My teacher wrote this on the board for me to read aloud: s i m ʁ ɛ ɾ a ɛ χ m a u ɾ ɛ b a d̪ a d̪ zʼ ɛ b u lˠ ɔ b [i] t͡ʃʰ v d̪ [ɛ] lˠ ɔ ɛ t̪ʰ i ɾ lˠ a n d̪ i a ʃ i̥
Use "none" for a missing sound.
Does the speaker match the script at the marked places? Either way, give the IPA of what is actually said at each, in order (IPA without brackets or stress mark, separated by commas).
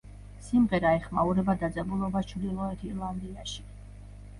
a, i